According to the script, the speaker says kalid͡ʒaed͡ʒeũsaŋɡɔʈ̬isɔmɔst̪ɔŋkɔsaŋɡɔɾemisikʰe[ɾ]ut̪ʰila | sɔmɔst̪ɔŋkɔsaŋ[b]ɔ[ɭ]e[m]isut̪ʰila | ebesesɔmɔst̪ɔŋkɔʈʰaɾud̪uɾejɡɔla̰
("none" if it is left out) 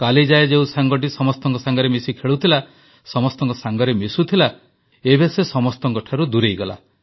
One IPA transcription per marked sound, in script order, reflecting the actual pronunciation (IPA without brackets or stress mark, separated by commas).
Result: ɭ, ɡ, ɾ, m